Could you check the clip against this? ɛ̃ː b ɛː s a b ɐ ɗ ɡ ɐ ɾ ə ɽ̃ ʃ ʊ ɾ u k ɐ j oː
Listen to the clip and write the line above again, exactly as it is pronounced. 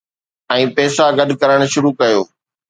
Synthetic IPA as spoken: ɛ̃ː p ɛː s a ɡ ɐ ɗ k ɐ ɾ ə ɽ̃ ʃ ʊ ɾ u k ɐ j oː

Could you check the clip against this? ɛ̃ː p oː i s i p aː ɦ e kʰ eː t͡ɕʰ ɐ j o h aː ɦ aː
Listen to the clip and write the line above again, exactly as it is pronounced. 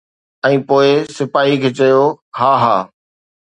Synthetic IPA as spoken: ɛ̃ː p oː ɪ s ɪ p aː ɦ i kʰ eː t͡ɕ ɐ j o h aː ɦ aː

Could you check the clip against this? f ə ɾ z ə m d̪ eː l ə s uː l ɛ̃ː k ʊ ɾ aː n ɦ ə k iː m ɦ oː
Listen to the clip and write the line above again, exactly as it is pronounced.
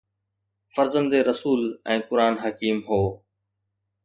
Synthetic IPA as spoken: f ə ɾ z ə n d̪ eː ɾ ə s uː l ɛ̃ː k ʊ ɾ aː n ɦ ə k iː m ɦ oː

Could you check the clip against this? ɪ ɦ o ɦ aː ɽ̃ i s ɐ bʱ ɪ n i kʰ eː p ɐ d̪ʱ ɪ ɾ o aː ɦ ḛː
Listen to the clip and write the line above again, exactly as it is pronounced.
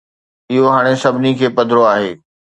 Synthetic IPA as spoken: ɪ ɦ o ɦ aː ɽ̃ e s ɐ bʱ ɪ n i kʰ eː p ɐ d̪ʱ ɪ ɾ o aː ɦ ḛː

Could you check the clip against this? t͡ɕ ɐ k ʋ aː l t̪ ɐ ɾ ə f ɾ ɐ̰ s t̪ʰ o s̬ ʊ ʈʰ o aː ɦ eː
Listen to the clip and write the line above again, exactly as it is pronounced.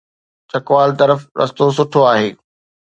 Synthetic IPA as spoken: t͡ɕ ɐ k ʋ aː l t̪ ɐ ɾ ə f ɾ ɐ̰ s t̪ o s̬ ʊ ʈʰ o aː ɦ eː

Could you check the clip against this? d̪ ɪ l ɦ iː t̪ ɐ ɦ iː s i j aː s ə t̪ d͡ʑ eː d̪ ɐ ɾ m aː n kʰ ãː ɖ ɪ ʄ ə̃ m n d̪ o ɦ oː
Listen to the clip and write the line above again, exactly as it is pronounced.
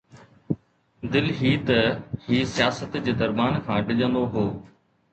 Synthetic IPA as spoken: d̪ ɪ l ɦ iː t̪ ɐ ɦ iː s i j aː s ə t̪ d͡ʑ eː d̪ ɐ ɾ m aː n kʰ ãː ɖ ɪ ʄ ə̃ n d̪ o ɦ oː

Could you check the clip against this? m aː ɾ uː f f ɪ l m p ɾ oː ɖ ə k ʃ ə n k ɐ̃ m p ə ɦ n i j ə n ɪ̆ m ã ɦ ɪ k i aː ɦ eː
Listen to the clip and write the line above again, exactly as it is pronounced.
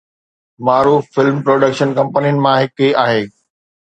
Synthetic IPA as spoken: m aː ɾ uː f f ɪ l m p ɾ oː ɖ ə k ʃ ə n k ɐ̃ m p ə n i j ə n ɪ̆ m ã ɦ ɪ k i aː ɦ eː

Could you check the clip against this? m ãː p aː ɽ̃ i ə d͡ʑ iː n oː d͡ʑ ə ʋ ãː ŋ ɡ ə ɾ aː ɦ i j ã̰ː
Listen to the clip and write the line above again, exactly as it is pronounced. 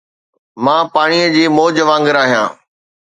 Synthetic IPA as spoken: m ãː p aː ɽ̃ i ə d͡ʑ iː m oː d͡ʑ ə ʋ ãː ŋ ɡ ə ɾ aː ɦ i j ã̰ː

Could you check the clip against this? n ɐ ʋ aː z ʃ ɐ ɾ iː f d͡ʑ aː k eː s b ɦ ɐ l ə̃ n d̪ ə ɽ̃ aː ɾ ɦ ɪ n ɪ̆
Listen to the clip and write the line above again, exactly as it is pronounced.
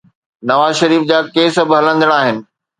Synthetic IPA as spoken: n ɐ ʋ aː z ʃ ɐ ɾ iː f d͡ʑ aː k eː s b ɦ ɐ l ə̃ n d̪ ə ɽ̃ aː ɦ ɪ n ɪ̆

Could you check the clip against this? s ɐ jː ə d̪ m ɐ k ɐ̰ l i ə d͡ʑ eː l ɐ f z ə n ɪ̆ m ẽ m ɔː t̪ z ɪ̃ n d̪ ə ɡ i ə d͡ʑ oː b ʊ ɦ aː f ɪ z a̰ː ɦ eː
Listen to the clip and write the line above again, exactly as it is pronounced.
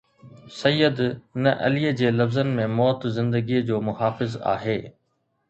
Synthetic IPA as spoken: s ɐ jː ə d̪ n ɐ ʔ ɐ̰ l i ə d͡ʑ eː l ɐ f z ə n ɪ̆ m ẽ m ɔː t̪ z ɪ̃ n d̪ ə ɡ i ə d͡ʑ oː m ʊ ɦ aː f ɪ z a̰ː ɦ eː

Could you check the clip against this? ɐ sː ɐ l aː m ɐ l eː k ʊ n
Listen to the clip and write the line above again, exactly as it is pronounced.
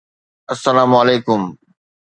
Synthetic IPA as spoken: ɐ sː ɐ l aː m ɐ l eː k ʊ m

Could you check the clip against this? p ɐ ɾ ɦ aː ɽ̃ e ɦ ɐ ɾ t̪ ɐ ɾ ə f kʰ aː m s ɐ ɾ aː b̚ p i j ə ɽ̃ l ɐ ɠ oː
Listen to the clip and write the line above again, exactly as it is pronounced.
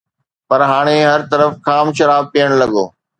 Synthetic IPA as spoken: p ɐ ɾ ɦ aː ɽ̃ e ɦ ɐ ɾ t̪ ɐ ɾ ə f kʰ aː m ʃ ɐ ɾ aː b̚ p i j ə ɽ̃ l ɐ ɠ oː

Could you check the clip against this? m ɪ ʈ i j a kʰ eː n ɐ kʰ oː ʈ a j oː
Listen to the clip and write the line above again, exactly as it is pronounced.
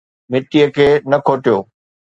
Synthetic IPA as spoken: m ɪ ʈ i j ə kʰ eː n ɐ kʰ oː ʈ i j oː

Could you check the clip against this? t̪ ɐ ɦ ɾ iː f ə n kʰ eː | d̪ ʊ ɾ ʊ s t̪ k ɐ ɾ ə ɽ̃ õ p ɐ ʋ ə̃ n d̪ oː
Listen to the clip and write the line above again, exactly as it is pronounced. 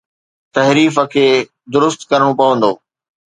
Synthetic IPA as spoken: t̪ ɐ ɦ ɾ iː f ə kʰ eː | d̪ ʊ ɾ ʊ s t̪ k ɐ ɾ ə ɽ̃ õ p ɐ ʋ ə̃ n d̪ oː

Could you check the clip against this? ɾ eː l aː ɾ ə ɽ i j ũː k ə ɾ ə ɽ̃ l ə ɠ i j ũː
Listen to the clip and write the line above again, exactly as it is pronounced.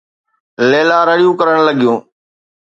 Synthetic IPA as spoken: l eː l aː ɾ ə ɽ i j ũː k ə ɾ ə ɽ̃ l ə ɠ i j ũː

